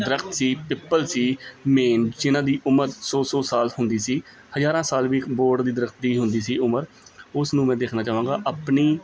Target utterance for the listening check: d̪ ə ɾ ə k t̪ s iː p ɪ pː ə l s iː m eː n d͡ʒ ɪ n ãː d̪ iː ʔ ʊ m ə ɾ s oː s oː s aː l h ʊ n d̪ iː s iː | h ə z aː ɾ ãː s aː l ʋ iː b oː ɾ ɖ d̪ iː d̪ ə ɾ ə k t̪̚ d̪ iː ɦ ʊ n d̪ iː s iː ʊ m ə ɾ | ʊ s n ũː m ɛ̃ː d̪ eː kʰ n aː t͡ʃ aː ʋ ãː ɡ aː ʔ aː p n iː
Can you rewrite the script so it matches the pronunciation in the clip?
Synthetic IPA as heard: d̪ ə ɾ ə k t̪ s iː p ɪ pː ə l s iː m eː n d͡ʒ ɪ n ãː d̪ iː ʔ ʊ m ə ɾ s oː s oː s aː l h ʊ n d̪ iː s iː | h ə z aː ɾ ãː s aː l ʋ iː b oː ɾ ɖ d̪ iː d̪ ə ɾ ə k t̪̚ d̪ iː ɦ ʊ n d̪ iː s iː ʊ m ə ɾ | ʊ s n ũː m ɛ̃ː d̪ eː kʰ n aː t͡ʃ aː ʋ ãː ɡ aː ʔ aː p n iː